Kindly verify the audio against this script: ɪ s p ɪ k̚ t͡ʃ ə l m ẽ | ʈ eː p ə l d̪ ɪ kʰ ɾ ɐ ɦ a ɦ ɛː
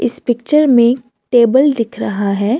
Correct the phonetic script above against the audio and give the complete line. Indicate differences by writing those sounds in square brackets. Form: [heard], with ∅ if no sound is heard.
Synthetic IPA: ɪ s p ɪ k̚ t͡ʃ ə [ɾ] m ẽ | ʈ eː [b] ə l d̪ ɪ kʰ ɾ ɐ ɦ a ɦ ɛː